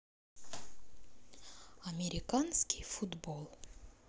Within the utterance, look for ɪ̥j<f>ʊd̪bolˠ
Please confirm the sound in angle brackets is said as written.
yes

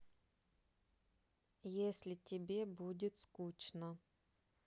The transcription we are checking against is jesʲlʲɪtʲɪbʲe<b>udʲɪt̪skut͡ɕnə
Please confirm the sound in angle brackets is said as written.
yes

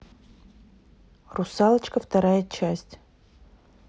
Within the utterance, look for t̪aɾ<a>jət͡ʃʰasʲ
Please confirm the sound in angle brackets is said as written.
yes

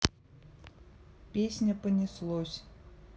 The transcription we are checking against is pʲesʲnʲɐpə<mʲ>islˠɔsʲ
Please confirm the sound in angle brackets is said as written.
no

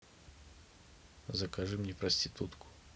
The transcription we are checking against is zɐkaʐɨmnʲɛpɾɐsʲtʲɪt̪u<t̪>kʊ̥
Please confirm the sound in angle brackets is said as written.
yes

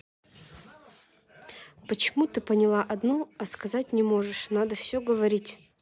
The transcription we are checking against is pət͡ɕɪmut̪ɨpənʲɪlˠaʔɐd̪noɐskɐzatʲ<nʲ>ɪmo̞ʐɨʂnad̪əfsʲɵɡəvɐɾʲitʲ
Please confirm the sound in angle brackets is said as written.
yes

